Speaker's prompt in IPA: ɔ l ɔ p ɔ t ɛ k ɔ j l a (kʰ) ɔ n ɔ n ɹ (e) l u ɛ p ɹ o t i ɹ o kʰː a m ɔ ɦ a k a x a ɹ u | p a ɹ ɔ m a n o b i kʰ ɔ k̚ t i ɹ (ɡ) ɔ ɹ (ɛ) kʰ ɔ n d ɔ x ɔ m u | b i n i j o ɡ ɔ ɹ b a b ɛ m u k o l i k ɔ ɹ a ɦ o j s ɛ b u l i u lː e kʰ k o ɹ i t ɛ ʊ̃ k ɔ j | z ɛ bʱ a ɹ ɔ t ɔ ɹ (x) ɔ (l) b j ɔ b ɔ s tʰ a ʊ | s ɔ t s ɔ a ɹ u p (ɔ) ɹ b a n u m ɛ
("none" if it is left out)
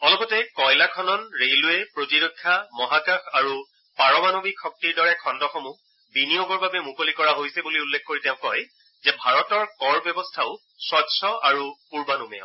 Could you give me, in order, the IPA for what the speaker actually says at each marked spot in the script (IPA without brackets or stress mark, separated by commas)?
kʰ, e, d, ɛ, k, ɹ, u